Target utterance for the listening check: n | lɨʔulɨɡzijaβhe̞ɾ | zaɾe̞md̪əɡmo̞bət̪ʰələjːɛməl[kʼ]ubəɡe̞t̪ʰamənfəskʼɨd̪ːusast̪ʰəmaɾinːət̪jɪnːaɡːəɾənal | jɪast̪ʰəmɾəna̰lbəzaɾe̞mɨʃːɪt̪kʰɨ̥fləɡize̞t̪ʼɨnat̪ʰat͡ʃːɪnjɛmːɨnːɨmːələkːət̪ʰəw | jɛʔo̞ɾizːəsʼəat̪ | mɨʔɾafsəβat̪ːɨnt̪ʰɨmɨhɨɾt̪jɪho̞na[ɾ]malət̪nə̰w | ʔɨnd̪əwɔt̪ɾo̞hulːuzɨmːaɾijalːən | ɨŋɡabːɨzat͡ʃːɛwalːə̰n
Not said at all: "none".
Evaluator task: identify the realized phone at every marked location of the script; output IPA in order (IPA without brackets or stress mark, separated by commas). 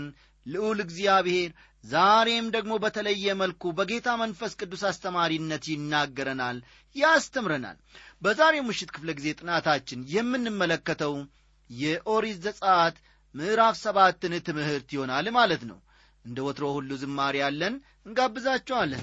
k, l